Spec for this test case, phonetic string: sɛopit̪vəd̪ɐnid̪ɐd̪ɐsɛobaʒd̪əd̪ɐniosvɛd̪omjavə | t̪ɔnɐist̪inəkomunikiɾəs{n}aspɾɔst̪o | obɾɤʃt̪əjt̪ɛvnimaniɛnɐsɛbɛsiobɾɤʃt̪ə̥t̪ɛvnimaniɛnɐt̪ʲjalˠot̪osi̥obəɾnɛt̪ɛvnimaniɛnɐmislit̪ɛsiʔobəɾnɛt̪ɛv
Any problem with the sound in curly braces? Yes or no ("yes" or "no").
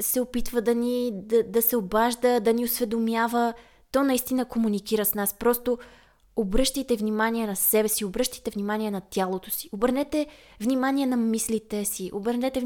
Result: no